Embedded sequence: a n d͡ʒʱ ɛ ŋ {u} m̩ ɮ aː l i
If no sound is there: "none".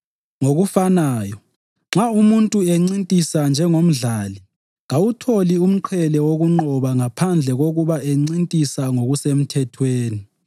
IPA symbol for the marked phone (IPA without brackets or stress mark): o